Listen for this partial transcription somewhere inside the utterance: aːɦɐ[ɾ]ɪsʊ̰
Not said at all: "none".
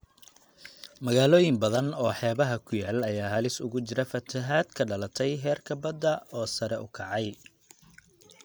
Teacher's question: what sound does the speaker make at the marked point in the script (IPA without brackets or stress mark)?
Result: l